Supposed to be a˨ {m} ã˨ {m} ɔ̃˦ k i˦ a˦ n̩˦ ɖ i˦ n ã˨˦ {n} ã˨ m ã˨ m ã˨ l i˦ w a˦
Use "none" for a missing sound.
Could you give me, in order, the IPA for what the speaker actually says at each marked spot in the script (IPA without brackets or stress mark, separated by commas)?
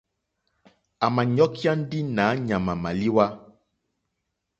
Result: m, ɲ, ɲ